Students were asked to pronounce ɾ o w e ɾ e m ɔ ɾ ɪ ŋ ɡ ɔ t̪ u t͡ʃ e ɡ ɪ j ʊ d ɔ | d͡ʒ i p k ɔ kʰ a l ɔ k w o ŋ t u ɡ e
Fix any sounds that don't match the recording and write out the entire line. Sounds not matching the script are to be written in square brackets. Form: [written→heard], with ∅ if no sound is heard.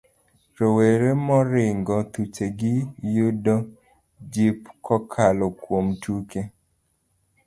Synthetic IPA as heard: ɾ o w e ɾ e m ɔ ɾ ɪ ŋ ɡ ɔ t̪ u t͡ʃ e ɡ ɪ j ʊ d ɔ | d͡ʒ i p k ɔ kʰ a l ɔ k w o [ŋ→m] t u [ɡ→k] e